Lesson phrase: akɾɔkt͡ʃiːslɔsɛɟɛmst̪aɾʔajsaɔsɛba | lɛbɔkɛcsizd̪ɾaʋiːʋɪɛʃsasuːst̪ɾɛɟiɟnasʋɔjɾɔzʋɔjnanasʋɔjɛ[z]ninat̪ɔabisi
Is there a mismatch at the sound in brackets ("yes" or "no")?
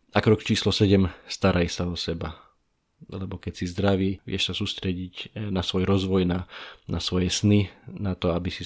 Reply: yes